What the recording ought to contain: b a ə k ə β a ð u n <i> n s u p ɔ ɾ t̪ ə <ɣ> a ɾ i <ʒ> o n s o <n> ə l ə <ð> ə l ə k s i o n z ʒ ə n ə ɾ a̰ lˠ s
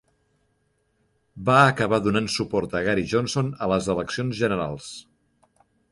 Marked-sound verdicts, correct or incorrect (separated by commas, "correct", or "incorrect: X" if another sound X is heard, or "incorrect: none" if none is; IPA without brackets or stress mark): incorrect: a, correct, correct, correct, incorrect: z